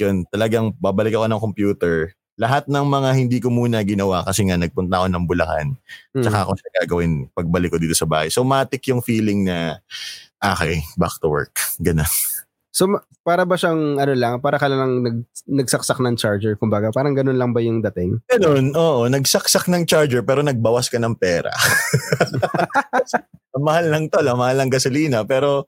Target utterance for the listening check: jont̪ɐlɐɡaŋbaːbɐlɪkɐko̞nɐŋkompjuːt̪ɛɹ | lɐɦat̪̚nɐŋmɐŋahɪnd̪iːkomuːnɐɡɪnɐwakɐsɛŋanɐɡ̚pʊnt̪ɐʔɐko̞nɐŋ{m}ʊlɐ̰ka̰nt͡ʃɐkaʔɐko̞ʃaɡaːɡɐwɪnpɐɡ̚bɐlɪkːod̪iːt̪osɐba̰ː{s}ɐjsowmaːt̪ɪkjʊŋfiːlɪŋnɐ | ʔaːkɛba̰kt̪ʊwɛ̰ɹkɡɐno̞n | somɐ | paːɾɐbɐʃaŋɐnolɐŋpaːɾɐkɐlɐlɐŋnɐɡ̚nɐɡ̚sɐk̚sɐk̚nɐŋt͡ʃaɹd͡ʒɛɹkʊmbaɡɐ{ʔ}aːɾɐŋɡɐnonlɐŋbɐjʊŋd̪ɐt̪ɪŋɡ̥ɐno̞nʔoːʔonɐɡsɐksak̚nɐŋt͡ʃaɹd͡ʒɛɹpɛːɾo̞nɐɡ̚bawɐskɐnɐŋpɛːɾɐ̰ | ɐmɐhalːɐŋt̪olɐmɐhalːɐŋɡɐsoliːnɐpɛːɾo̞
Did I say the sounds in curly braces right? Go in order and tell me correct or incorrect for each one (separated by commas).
incorrect, incorrect, incorrect